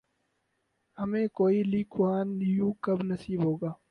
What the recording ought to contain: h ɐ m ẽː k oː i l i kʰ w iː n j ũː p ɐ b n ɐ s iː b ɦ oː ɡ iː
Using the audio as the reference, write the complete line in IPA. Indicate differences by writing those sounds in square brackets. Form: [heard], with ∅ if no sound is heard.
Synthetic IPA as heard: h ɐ m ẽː k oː i l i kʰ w [aː] n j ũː [k] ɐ b n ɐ s iː b ɦ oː ɡ [aː]